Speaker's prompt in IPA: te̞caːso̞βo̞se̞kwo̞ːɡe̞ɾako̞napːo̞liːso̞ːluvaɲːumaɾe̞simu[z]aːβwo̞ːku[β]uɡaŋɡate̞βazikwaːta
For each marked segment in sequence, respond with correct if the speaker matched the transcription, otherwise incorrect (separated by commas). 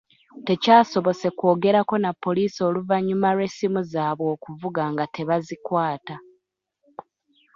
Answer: correct, incorrect